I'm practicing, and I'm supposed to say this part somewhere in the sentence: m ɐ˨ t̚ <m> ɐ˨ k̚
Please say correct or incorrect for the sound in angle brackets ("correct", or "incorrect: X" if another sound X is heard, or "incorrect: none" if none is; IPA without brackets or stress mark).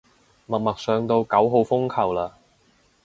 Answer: correct